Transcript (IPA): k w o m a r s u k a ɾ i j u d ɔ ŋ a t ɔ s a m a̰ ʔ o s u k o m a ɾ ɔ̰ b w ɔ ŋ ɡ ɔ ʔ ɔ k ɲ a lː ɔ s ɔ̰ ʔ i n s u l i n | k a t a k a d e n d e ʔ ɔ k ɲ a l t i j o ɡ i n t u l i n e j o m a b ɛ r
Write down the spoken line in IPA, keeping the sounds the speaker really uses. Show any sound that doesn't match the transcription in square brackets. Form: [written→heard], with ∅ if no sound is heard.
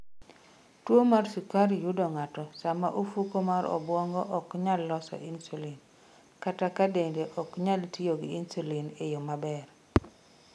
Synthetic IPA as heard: [k→t] w o m a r s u k a ɾ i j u d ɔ ŋ a t ɔ s a m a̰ ʔ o [s→f] u k o m a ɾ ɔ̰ b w ɔ ŋ ɡ ɔ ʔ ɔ k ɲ a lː ɔ s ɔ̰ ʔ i n s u l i n | k a t a k a d e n d e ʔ ɔ k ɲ a l t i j o ɡ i n [t→s] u l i n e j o m a b ɛ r